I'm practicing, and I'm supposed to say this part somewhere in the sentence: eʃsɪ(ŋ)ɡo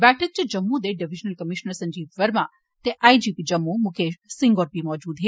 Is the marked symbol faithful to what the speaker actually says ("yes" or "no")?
yes